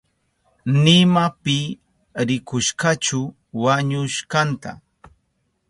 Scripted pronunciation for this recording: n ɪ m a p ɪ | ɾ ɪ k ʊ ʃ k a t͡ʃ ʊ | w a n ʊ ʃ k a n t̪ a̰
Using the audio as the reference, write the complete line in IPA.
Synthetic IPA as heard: n ɪ m a p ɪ | ɾ ɪ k ʊ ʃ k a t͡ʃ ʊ | w a ɲ ʊ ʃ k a n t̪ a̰